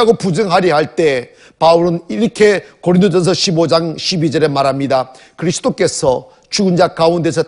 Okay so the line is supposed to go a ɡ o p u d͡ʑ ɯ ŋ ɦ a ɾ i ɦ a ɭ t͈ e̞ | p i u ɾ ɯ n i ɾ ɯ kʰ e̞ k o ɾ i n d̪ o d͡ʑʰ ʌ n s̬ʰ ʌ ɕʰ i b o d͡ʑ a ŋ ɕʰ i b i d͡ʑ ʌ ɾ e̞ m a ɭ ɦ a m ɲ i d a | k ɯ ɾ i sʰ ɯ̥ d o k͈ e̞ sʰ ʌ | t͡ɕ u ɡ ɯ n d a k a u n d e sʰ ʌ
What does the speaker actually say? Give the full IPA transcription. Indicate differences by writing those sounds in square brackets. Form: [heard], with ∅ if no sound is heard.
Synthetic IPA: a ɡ o p u d͡ʑ ɯ ŋ ɦ a ɾ i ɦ a ɭ t͈ e̞ | p [a] u ɾ ɯ n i ɾ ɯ kʰ e̞ k o ɾ i n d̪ o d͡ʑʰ ʌ n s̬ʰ ʌ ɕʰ i b o d͡ʑ a ŋ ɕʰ i b i d͡ʑ ʌ ɾ e̞ m a [ɾ] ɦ a m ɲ i d a | k ɯ ɾ i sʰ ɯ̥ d o k͈ e̞ sʰ ʌ | t͡ɕ u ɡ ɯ n [d͡ʑ] a k a u n d e sʰ ʌ

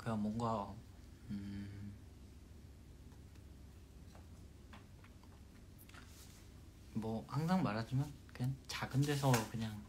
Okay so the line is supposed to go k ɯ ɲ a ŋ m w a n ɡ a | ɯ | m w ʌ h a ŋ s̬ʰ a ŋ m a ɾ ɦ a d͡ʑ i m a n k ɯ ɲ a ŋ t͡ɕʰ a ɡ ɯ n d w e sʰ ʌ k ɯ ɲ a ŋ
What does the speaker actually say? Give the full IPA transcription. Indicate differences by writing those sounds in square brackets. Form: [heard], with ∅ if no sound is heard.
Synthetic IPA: k ɯ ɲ a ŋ m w [ʌ] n ɡ a | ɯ | m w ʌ h a ŋ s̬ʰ a ŋ m a ɾ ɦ a d͡ʑ i m a n k ɯ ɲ a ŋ [t͡ɕ] a ɡ ɯ n d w e sʰ ʌ k ɯ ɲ a ŋ

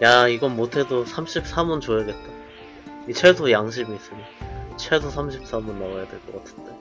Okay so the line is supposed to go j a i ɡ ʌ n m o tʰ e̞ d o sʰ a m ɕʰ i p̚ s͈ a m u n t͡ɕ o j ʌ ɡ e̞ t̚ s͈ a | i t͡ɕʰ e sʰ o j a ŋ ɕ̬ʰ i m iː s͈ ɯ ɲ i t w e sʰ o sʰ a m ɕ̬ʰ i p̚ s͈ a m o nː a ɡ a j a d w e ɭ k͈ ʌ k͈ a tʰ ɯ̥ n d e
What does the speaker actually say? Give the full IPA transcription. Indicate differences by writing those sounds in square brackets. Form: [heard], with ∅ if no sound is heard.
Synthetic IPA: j a i ɡ ʌ n m o tʰ e̞ d o sʰ a m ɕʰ i p̚ s͈ a m u n t͡ɕ o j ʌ ɡ e̞ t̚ [t͈] a | i t͡ɕʰ e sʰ o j a ŋ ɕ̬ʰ i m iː s͈ ɯ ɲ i [t͡ɕʰ] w e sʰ o sʰ a m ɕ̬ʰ i p̚ s͈ a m [u] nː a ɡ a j a d w e ɭ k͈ ʌ k͈ a tʰ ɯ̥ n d e

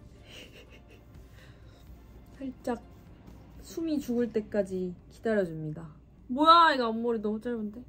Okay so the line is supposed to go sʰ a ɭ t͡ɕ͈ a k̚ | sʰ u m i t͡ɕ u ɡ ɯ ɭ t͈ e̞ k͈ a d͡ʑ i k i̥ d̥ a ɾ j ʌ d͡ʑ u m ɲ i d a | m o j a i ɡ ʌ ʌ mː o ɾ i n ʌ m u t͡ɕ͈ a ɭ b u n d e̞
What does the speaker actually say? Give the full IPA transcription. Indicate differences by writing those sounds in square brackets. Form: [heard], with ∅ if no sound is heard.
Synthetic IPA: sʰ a ɭ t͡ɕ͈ a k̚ | sʰ u m i t͡ɕ u ɡ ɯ ɭ t͈ e̞ k͈ a d͡ʑ i k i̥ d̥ a ɾ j ʌ d͡ʑ u m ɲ i d a | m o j a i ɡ [a] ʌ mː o ɾ i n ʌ m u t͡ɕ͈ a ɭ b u n d e̞

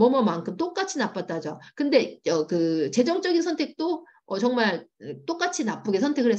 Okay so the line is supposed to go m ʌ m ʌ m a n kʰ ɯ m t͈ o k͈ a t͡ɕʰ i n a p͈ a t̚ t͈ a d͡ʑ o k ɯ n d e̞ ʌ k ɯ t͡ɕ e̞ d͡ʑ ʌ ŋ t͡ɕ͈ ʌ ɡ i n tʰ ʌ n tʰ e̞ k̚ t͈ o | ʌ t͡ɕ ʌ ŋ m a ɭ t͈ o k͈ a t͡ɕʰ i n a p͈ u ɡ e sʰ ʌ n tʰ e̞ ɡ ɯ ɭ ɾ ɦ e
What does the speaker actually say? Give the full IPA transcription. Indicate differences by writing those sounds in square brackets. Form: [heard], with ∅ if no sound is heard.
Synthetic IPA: m ʌ m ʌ m a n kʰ ɯ m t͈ o k͈ a t͡ɕʰ i n a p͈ a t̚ t͈ a d͡ʑ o k ɯ n d e̞ ʌ k ɯ t͡ɕ e̞ d͡ʑ ʌ ŋ t͡ɕ͈ ʌ ɡ i n [sʰ] ʌ n tʰ e̞ k̚ t͈ o | ʌ t͡ɕ ʌ ŋ m a ɭ t͈ o k͈ a t͡ɕʰ i n a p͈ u ɡ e sʰ ʌ n tʰ e̞ ɡ ɯ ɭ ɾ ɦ e

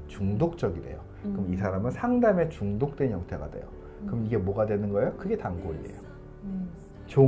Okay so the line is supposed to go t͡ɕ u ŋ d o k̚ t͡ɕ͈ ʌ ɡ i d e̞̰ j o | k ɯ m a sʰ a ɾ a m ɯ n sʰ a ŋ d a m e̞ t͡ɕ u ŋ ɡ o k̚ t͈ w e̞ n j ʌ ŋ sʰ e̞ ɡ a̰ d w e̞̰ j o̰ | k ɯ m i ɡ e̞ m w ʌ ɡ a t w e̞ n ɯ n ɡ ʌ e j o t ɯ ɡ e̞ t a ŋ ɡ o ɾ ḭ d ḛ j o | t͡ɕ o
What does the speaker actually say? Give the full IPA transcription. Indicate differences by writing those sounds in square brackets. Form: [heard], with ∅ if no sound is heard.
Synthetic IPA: t͡ɕ u ŋ d o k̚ t͡ɕ͈ ʌ ɡ i d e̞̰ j o | k ɯ m [i] sʰ a ɾ a m ɯ n sʰ a ŋ d a m e̞ t͡ɕ u ŋ [d] o k̚ t͈ w e̞ n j ʌ ŋ [tʰ] e̞ ɡ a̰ d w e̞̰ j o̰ | k ɯ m i ɡ e̞ m w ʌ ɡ a [d] w e̞ n ɯ n ɡ ʌ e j o [k] ɯ ɡ e̞ t a ŋ ɡ o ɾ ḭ d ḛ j o | t͡ɕ o

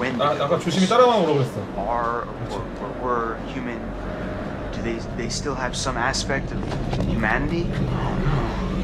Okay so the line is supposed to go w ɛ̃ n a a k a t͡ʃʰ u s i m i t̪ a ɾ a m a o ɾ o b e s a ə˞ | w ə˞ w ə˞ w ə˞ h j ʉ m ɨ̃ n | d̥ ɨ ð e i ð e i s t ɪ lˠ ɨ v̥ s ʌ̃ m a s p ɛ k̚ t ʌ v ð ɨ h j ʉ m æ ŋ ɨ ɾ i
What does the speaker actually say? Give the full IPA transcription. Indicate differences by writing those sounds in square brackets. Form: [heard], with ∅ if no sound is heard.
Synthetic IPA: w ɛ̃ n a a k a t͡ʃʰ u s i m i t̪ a ɾ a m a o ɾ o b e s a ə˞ | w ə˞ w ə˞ w ə˞ h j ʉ m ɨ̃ n | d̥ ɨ ð e [ɪ] ð e [ɪ] s t ɪ lˠ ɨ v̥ s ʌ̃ m [æ] s p ɛ k̚ t ʌ v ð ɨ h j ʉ m æ [n] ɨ ɾ i

